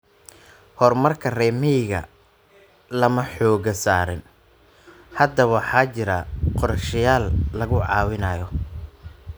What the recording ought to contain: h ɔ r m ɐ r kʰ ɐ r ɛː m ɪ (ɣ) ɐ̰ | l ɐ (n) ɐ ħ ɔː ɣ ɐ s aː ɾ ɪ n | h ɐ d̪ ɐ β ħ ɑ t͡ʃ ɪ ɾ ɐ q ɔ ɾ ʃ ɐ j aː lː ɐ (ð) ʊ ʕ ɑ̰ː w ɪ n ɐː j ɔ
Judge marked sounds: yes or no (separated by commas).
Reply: yes, no, no